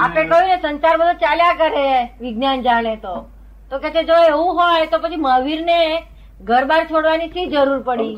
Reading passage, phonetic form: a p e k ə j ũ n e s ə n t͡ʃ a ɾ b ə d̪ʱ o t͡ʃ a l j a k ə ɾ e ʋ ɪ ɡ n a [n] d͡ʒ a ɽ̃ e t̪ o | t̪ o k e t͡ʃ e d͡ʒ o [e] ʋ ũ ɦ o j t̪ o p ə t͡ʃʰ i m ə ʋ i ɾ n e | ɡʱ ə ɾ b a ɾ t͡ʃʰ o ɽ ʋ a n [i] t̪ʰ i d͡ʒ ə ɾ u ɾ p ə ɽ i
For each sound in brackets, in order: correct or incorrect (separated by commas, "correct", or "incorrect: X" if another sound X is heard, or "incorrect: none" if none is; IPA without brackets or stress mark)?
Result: correct, correct, correct